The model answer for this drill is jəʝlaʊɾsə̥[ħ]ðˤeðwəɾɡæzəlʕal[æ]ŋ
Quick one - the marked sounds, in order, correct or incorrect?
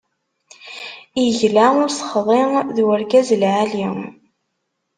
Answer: incorrect, incorrect

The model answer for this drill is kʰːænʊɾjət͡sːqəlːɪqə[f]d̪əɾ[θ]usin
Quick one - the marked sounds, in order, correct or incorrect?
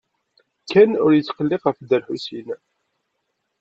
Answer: correct, incorrect

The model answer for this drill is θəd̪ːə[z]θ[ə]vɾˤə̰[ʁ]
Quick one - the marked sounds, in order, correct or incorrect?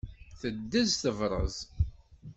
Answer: correct, correct, incorrect

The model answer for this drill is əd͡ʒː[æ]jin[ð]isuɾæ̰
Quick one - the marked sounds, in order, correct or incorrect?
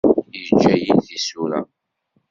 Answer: correct, incorrect

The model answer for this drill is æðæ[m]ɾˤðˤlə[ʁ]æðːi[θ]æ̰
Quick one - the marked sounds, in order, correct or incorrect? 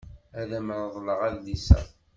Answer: correct, correct, incorrect

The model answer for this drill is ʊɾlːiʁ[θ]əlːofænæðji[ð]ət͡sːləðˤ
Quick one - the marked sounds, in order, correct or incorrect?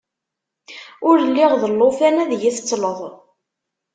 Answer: incorrect, incorrect

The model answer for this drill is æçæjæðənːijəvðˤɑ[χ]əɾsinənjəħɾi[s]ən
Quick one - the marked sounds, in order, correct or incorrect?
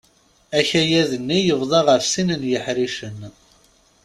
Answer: incorrect, incorrect

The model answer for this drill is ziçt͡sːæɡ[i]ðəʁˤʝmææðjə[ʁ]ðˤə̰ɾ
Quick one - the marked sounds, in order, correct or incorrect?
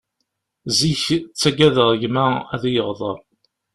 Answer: incorrect, correct

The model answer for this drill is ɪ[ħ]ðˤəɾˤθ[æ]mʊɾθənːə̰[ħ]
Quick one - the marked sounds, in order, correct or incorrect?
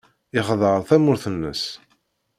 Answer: incorrect, correct, incorrect

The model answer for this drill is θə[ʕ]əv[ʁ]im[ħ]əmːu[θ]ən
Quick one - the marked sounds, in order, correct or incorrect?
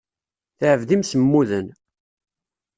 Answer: correct, incorrect, incorrect, incorrect

